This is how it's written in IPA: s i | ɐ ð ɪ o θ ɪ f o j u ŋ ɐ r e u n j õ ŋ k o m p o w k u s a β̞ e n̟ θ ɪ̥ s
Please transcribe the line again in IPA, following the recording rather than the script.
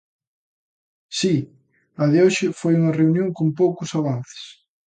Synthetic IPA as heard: s i | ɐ ð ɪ o ʃ ɪ f o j u ŋ ɐ r e u n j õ ŋ k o m p o w k ʊ s a β̞ a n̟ θ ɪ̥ s